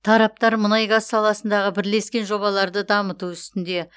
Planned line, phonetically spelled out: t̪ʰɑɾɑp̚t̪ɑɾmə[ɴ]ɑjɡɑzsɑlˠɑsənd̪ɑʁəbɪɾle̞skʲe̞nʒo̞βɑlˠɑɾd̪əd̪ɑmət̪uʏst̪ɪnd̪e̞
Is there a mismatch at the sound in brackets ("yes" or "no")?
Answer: yes